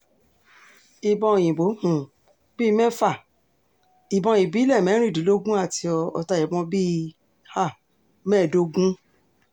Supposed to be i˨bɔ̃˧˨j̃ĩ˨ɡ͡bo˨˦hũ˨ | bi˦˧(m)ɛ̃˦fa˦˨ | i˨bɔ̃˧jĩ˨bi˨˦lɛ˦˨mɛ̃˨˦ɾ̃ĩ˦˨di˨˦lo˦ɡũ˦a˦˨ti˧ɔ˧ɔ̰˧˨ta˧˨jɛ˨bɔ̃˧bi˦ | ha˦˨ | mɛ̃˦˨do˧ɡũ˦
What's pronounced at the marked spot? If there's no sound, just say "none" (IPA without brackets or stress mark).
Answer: m